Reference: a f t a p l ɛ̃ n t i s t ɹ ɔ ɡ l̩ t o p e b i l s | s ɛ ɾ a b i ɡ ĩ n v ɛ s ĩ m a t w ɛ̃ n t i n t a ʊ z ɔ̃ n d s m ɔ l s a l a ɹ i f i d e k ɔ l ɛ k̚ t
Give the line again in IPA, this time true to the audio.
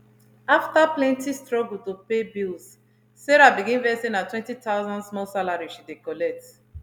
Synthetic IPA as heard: a f t a p l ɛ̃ n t i s t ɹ ɔ ɡ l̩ t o p e b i l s | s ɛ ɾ a b i ɡ ĩ n v ɛ s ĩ n a t w ɛ̃ n t i t a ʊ z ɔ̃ n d s m ɔ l s a l a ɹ i ʃ i d e k ɔ l ɛ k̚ t